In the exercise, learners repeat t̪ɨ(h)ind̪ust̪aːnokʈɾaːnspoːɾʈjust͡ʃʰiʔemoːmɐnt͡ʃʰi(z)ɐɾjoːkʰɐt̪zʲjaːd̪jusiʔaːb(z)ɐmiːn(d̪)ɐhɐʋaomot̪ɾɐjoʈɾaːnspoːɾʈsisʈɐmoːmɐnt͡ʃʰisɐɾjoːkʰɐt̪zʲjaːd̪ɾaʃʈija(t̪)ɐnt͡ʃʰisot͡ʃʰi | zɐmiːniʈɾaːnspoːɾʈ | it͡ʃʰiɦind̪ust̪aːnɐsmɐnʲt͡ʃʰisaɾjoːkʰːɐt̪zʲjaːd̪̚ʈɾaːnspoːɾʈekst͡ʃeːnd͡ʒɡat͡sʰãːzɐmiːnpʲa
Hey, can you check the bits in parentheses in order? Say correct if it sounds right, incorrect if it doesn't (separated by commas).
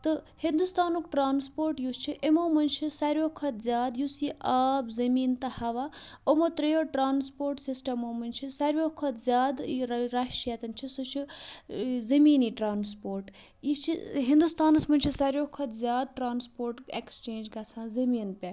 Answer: correct, incorrect, correct, incorrect, correct